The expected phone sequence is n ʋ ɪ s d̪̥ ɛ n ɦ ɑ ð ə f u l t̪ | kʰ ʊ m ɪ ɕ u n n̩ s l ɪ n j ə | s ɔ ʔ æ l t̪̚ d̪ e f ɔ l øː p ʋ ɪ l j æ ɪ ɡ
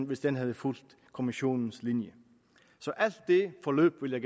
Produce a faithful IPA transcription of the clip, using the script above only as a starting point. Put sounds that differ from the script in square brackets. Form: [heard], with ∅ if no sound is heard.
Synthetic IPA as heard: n ʋ ɪ s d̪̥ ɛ n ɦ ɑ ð ə f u l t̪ | kʰ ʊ m ɪ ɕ [uː] n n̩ s l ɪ n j ə | s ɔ ʔ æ l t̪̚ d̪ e f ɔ l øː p ʋ ɪ l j æ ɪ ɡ